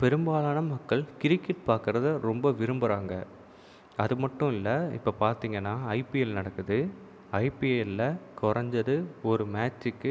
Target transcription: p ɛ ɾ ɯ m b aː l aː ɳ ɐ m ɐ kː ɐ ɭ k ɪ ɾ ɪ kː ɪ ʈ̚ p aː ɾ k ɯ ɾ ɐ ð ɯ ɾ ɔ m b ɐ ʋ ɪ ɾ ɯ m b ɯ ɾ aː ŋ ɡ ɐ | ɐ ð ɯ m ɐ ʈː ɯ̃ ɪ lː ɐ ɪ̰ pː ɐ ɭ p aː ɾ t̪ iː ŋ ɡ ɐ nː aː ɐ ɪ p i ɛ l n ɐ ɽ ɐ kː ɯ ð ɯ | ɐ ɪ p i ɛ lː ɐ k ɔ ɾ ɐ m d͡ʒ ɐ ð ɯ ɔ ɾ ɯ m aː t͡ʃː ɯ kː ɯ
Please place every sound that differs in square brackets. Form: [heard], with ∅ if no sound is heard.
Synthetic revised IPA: p ɛ ɾ ɯ m b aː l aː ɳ ɐ m ɐ kː ɐ ɭ k ɪ ɾ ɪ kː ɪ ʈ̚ p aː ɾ k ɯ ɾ ɐ ð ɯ ɾ ɔ m b ɐ ʋ ɪ ɾ ɯ m b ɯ ɾ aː ŋ ɡ ɐ | ɐ ð ɯ m ɐ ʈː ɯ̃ ɪ lː ɐ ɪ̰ pː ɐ [∅] p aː ɾ t̪ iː ŋ ɡ ɐ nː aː ɐ ɪ p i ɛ l n ɐ ɽ ɐ kː ɯ ð ɯ | ɐ ɪ p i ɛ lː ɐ k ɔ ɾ ɐ [ɲ] d͡ʒ ɐ ð ɯ ɔ ɾ ɯ m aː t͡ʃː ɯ kː ɯ